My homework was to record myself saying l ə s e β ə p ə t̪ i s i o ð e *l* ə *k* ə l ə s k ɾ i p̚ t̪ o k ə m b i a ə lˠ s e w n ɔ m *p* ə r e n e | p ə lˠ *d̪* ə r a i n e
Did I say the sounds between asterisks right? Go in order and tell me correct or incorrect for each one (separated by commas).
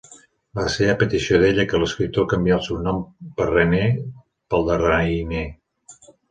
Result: incorrect, correct, correct, correct